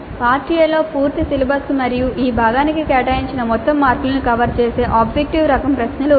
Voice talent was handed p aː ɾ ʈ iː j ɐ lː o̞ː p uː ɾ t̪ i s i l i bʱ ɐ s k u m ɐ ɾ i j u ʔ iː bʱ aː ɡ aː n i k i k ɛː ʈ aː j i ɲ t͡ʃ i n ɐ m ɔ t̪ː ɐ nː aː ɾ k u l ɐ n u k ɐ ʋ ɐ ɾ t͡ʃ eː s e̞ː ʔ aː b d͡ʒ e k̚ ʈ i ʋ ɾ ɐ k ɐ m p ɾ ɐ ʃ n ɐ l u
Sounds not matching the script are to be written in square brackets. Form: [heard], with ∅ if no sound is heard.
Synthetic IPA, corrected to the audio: p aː ɾ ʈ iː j ɐ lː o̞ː p uː ɾ t̪ i s i l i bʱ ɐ s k u m ɐ ɾ i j u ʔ iː bʱ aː ɡ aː n i k i k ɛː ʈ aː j i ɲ t͡ʃ i n ɐ m ɔ t̪ː ɐ [mː] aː ɾ k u l ɐ n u k ɐ ʋ ɐ ɾ t͡ʃ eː s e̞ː ʔ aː b d͡ʒ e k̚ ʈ i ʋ ɾ ɐ k ɐ m p ɾ ɐ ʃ n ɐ l u

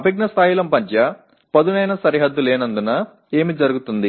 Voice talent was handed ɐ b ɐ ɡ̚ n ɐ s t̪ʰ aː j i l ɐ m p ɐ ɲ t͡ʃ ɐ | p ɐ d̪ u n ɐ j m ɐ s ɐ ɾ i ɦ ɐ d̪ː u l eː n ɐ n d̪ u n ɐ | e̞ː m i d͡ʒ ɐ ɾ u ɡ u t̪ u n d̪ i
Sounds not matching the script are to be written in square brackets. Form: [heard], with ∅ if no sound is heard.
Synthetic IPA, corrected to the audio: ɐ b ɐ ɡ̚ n ɐ s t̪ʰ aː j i l ɐ m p ɐ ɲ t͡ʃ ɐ | p ɐ d̪ u n ɐ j [n] ɐ s ɐ ɾ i ɦ ɐ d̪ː u l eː n ɐ n d̪ u n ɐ | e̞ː m i d͡ʒ ɐ ɾ u ɡ u t̪ u n d̪ i

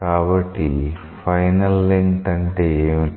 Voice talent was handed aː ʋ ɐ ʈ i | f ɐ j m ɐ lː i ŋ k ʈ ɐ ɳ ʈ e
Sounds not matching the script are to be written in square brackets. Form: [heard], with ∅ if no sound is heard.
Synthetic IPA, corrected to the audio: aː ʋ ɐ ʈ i | f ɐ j [n] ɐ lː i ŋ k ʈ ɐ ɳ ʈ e

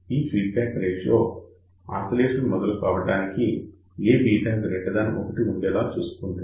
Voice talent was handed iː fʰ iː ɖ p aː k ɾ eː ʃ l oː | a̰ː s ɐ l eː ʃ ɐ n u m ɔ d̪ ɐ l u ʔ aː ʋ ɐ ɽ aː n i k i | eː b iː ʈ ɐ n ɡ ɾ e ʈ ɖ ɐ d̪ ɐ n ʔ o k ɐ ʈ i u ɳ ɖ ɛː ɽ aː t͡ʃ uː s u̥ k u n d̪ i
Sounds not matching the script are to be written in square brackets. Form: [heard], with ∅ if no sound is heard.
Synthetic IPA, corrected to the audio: iː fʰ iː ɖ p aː k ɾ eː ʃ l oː | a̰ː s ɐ l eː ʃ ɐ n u m ɔ d̪ ɐ l u [k] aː ʋ ɐ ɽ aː n i k i | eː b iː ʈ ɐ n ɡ ɾ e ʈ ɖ ɐ d̪ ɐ n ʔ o k ɐ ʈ i u ɳ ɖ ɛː [l] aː t͡ʃ uː s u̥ k u n d̪ i

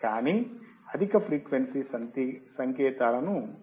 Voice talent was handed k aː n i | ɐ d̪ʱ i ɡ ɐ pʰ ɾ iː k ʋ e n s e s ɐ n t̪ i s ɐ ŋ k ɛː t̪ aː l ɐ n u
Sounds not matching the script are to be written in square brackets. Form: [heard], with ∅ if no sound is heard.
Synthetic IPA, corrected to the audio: k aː n i | ɐ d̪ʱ i [k] ɐ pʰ ɾ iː k ʋ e n s [i] s ɐ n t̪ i s ɐ ŋ k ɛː t̪ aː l ɐ n u

